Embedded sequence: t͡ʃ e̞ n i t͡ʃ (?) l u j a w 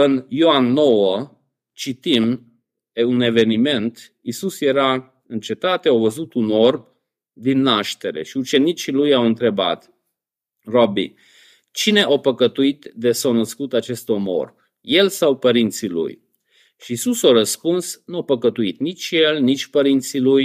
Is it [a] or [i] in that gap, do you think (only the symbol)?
i